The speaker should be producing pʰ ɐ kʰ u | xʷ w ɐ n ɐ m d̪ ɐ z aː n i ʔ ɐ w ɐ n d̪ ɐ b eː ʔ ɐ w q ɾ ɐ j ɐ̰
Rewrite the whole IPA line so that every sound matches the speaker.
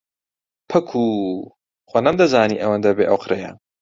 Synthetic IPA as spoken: pʰ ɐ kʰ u | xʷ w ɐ n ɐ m d̪ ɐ z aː n i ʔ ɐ w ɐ n d̪ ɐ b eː ʔ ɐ w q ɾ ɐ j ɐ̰